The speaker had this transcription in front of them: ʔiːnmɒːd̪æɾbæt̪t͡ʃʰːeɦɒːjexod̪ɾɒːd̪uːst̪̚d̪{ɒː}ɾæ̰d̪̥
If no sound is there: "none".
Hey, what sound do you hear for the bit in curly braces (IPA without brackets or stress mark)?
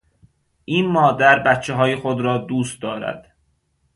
ɒː